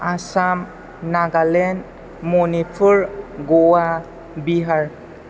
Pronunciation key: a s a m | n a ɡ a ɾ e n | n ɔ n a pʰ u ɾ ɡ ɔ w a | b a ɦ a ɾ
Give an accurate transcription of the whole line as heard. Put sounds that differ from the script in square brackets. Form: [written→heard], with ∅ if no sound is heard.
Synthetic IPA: a s a m | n a ɡ a [ɾ→l] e n | [n→m] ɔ n [a→i] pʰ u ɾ ɡ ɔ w a | b [a→i] ɦ a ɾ